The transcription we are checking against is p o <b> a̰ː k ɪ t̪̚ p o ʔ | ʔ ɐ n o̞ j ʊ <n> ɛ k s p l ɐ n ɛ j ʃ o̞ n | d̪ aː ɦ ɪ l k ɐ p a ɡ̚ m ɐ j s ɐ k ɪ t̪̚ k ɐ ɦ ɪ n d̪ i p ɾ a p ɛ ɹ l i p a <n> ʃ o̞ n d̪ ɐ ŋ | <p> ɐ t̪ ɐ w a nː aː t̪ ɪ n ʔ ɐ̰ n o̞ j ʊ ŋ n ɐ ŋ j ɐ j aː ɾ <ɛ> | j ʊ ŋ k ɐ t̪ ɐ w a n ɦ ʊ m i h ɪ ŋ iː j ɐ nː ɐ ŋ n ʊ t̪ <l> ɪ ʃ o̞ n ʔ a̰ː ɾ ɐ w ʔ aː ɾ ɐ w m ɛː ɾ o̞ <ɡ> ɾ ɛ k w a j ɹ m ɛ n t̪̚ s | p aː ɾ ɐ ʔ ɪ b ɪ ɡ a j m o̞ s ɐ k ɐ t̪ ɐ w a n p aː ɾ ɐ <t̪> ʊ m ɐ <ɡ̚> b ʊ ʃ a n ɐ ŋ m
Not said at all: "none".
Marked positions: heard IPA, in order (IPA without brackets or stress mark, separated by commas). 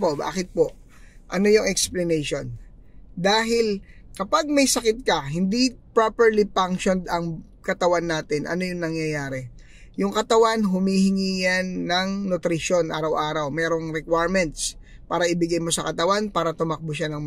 b, ŋ, ŋ, k, ɛ, ɾ, ŋ, t̪, k̚